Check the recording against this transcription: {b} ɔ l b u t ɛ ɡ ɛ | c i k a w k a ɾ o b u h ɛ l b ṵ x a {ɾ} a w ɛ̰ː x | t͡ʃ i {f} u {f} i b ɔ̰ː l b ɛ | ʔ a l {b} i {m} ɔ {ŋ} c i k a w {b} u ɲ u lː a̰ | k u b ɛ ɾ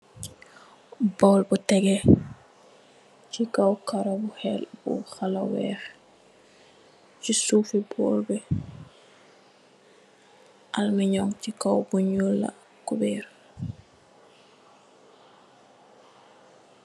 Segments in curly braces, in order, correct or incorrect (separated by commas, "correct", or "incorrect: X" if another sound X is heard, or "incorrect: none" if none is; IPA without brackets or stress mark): correct, incorrect: l, incorrect: s, correct, incorrect: m, incorrect: ɲ, correct, correct